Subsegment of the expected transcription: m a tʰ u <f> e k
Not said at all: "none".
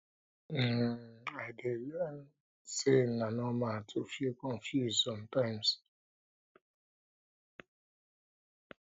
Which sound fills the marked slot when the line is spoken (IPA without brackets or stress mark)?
f